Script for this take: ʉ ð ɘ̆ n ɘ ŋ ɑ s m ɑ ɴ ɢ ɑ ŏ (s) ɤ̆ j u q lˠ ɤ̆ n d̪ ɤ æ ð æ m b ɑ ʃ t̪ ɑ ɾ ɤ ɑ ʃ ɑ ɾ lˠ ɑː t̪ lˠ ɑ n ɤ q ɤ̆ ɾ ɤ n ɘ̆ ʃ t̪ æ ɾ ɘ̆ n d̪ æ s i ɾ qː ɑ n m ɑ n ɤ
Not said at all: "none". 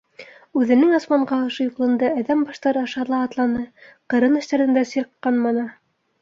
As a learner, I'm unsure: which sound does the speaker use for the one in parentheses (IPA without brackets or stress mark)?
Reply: ʃ